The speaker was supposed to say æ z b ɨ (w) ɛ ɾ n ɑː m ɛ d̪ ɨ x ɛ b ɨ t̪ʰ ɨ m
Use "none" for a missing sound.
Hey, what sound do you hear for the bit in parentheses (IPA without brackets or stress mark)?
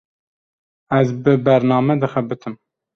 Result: b